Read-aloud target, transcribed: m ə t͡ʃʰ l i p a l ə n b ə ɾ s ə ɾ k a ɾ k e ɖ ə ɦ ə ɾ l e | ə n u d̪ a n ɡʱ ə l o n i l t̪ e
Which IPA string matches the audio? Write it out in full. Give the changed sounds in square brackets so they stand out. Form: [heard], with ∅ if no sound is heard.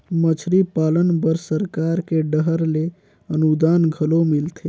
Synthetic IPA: m ə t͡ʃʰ [ɾ] i p a l ə n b ə ɾ s ə ɾ k a ɾ k e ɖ ə ɦ ə ɾ l e | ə n u d̪ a n ɡʱ ə l o [m] i l [t̪ʰ] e